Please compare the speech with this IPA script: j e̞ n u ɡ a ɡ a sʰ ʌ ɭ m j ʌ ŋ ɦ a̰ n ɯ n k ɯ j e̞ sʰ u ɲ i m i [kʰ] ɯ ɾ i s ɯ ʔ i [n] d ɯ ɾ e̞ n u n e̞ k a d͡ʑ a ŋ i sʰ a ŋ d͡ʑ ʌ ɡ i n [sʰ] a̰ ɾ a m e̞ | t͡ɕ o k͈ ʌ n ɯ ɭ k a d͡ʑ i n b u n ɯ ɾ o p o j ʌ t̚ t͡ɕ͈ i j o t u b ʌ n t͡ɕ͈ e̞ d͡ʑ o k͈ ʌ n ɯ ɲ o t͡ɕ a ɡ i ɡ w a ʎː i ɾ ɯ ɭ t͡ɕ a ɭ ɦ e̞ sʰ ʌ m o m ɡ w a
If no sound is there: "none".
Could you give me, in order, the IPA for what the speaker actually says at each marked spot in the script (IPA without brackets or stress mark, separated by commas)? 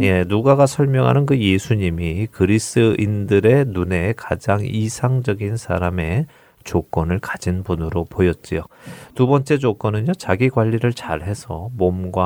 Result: k, n, sʰ